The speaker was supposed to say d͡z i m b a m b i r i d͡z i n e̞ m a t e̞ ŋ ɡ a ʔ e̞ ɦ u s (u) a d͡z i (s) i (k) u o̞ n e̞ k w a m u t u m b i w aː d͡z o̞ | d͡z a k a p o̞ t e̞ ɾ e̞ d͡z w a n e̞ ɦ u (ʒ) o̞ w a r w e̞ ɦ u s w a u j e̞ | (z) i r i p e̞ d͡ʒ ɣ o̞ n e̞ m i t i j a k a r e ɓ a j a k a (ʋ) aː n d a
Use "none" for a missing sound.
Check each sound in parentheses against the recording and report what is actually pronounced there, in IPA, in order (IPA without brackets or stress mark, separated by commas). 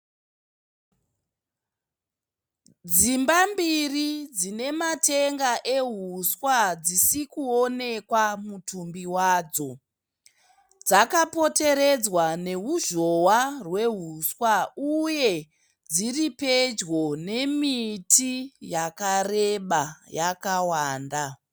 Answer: w, s, k, ʒ, d͡z, w